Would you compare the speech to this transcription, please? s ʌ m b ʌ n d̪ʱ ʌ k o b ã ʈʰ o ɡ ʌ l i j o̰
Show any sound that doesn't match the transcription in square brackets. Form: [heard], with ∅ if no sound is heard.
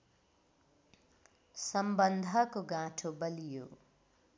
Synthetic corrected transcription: s ʌ m b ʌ n d̪ʱ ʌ k o [ɡ] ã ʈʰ o [b] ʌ l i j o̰